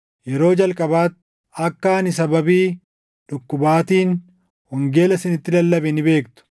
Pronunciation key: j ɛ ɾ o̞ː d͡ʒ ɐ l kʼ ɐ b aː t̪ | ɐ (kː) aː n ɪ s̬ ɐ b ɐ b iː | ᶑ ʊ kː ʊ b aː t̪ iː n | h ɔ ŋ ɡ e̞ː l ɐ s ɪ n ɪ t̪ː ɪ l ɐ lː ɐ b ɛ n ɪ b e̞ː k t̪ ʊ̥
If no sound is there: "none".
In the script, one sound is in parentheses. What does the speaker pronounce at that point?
kː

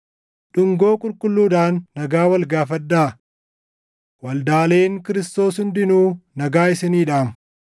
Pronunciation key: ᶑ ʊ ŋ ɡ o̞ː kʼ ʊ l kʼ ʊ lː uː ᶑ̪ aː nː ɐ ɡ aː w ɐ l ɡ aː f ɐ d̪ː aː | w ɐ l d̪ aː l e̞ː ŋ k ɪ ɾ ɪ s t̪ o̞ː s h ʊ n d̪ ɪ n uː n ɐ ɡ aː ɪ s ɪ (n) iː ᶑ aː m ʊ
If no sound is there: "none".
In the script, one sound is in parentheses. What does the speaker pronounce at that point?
n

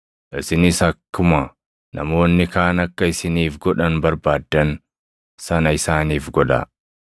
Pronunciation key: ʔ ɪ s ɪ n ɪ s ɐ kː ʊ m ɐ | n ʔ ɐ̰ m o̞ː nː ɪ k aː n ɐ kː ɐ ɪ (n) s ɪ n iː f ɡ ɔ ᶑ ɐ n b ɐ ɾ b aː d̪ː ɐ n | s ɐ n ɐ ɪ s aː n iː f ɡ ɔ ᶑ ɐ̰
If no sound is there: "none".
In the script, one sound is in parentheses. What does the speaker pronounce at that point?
none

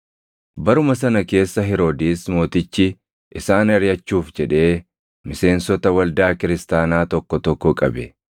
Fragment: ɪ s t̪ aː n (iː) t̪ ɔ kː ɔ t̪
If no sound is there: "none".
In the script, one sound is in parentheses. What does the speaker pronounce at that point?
aː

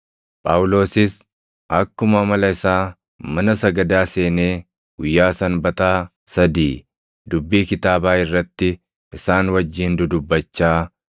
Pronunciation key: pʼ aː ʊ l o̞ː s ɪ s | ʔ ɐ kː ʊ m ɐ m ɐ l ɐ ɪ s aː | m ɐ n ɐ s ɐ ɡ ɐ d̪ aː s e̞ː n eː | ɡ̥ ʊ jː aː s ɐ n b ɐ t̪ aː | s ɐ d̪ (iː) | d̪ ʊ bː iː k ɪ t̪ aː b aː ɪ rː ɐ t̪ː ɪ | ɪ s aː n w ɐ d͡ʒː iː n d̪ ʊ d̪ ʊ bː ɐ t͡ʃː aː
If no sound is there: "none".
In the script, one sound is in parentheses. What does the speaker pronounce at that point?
iː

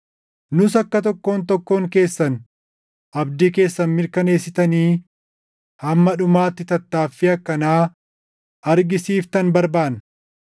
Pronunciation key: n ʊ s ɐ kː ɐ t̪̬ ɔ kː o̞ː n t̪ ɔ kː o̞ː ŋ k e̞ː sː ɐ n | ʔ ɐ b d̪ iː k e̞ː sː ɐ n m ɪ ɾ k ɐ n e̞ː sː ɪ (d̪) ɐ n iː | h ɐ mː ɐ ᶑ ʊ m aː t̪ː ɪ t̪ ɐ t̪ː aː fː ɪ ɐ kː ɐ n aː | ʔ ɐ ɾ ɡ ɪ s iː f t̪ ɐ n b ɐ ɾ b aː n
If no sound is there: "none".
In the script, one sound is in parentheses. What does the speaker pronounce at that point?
t̪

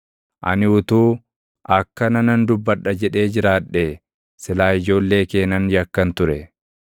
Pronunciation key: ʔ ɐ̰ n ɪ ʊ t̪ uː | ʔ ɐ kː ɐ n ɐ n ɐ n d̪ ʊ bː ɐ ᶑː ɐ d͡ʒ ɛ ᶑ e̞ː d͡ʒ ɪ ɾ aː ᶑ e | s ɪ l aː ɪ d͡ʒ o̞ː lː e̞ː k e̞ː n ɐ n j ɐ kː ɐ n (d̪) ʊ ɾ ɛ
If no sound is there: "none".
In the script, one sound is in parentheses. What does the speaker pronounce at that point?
t̪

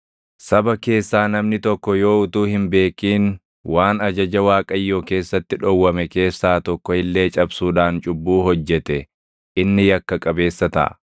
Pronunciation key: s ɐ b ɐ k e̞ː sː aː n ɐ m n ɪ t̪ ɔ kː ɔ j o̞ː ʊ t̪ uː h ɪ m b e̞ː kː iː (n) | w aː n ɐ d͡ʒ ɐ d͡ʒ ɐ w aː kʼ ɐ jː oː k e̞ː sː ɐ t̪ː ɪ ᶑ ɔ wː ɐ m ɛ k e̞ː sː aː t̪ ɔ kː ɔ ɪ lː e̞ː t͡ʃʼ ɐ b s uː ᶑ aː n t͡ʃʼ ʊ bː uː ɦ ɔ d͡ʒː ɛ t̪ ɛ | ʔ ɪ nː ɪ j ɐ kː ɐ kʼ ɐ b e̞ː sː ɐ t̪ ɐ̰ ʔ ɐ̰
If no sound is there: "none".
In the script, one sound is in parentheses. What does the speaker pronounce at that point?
n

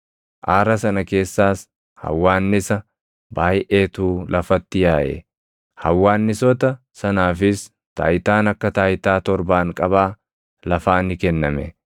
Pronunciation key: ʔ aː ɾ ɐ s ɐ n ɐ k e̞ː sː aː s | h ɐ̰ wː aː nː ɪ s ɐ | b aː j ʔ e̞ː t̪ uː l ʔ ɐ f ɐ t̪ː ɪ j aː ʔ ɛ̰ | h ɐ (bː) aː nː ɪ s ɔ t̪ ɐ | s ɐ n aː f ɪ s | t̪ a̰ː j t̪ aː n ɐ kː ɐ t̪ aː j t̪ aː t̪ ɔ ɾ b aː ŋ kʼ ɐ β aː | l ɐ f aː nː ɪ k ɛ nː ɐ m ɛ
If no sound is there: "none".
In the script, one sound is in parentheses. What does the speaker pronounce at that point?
wː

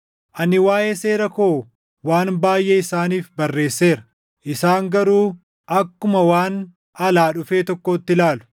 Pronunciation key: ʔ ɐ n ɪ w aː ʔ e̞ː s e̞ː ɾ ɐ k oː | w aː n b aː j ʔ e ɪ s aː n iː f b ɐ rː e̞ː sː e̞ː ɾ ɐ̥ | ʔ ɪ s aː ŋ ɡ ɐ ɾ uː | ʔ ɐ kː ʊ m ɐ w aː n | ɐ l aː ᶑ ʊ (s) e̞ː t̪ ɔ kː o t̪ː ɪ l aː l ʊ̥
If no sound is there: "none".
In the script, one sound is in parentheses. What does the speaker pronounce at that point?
f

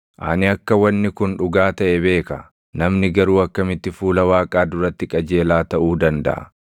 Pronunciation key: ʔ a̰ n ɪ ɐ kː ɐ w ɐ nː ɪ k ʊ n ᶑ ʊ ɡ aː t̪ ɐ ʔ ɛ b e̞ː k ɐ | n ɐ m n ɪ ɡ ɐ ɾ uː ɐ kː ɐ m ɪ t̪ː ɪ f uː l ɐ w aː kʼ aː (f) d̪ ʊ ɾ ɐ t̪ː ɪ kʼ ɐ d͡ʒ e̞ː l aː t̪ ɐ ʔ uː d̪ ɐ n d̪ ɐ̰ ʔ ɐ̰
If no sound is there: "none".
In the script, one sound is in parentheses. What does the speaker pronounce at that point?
none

